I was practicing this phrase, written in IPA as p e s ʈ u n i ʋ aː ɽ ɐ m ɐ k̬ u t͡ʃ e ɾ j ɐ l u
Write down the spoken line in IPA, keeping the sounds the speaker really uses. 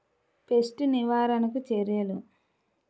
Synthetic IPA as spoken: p e s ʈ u n i ʋ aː ɾ ɐ n ɐ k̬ u t͡ʃ e ɾ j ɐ l u